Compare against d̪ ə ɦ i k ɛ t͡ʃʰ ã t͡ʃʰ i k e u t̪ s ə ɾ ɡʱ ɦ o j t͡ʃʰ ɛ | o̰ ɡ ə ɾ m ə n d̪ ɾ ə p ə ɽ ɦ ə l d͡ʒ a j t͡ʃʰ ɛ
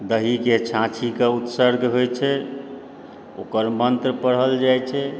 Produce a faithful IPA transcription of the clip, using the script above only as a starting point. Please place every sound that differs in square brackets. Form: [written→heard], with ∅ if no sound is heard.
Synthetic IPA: d̪ ə ɦ i k [ɛ→e] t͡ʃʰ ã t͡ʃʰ i k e u t̪ s ə ɾ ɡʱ ɦ o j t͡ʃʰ ɛ | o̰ [ɡ→k] ə ɾ m ə n [d̪→t̪] ɾ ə p ə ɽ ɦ ə l d͡ʒ a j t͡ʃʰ ɛ